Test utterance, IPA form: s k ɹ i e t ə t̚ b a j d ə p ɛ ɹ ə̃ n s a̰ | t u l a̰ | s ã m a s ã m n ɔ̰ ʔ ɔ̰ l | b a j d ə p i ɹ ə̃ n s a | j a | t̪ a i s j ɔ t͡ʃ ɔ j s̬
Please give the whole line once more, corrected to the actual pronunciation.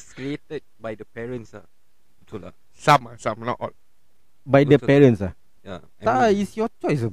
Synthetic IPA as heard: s k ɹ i e t ə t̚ b a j d ə p ɛ ɹ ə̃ n s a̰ | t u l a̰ | s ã m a s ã m n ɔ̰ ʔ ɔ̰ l | b a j d ə p ɛ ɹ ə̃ n s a | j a | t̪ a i s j ɔ t͡ʃ ɔ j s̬